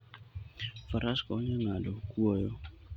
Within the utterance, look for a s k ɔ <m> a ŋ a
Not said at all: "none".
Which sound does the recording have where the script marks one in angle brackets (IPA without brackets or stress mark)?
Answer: ɲ